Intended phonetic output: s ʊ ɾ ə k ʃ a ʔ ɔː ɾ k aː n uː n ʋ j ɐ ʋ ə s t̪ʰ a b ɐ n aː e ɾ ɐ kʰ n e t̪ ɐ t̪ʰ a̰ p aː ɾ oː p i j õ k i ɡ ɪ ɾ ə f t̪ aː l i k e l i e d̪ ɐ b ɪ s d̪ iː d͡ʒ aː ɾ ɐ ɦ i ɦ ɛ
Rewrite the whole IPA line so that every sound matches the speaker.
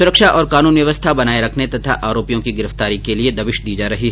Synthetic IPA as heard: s ʊ ɾ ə k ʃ a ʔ ɔː ɾ k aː n uː n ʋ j ɐ ʋ ə s t̪ʰ a b ɐ n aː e ɾ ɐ kʰ n e t̪ ɐ t̪ʰ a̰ ʔ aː ɾ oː p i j õ k i ɡ ɪ ɾ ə f t̪ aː ɾ i k e l i e d̪ ɐ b ɪ ʃ d̪ iː d͡ʒ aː ɾ ɐ ɦ i ɦ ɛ

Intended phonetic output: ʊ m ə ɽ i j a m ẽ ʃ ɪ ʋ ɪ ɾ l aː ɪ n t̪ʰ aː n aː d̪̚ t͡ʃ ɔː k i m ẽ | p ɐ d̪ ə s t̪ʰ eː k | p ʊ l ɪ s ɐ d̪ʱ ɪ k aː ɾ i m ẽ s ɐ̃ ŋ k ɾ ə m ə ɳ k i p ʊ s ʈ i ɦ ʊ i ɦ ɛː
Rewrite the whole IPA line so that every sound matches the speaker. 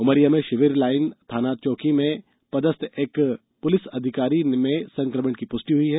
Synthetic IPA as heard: ʊ m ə ɾ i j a m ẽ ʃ ɪ ʋ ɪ ɾ l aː ɪ n t̪ʰ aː n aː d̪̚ t͡ʃ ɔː k i m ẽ | p ɐ d̪ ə s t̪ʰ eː k | p ʊ l ɪ s ɐ d̪ʱ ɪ k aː ɾ i m ẽ s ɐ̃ ŋ k ɾ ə m ə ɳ k i p ʊ s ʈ i ɦ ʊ i ɦ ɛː

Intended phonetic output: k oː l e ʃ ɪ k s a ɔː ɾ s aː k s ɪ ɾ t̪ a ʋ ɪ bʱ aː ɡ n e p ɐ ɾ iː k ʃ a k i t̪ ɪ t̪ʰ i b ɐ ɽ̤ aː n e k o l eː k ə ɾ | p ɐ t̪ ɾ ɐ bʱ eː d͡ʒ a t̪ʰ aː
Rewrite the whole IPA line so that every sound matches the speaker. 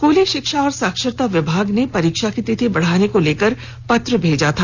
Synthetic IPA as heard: k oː l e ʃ ɪ k ʃ a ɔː ɾ s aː k ʃ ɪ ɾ t̪ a ʋ ɪ bʱ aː ɡ n e p ɐ ɾ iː k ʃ a k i t̪ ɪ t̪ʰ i b ɐ ɽ̤ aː n e k o l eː k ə ɾ | p ɐ t̪ ɾ ə bʱ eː d͡ʒ a t̪ʰ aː

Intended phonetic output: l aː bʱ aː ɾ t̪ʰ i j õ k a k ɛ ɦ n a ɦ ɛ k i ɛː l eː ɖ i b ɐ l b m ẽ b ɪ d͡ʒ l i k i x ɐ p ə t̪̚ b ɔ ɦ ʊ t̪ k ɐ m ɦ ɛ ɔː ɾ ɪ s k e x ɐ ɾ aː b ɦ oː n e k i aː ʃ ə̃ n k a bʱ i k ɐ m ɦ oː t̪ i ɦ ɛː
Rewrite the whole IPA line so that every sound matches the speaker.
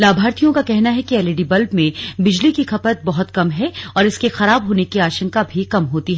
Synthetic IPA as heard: l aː bʱ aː ɾ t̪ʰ i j õ k a k ɛ ɦ n a ɦ ɛ k i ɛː l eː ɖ i b ɐ l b m ẽ b ɪ d͡ʒ l i k i x ɐ p ə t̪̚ b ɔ ɦ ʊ t̪ k ɐ m ɦ ɛ ɔː ɾ ɪ s k e x ɐ ɾ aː b ɦ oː n e k i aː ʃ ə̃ ŋ k a bʱ i k ɐ m ɦ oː t̪ i ɦ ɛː

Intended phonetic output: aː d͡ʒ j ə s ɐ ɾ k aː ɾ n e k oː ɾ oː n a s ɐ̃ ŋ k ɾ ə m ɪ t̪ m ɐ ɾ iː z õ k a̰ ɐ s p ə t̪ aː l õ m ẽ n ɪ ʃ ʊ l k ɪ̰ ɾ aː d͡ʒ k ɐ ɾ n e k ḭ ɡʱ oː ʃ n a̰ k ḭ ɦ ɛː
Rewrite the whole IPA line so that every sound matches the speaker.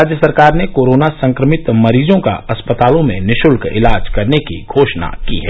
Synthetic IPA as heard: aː d͡ʒ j ə s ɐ ɾ k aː ɾ n e k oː ɾ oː n a s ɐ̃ ŋ k ɾ ə m ɪ t̪ m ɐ ɾ iː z õ k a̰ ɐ s p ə t̪ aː l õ m ẽ n ɪ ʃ ʊ l k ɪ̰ l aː d͡ʒ k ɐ ɾ n e k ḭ ɡʱ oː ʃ n a̰ k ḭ ɦ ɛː

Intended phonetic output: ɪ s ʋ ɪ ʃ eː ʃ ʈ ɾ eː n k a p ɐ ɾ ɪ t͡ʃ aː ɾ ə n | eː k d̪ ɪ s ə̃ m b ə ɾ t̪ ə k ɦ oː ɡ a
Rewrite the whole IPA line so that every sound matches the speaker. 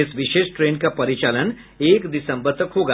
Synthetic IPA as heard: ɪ s ʋ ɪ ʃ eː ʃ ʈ ɾ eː n k a p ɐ ɾ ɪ t͡ʃ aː l ə n | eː k d̪ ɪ s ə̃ m b ə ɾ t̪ ə k ɦ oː ɡ a

